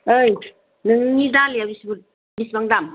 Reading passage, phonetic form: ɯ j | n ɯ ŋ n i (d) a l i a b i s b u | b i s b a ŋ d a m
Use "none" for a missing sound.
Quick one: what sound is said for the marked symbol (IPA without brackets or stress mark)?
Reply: d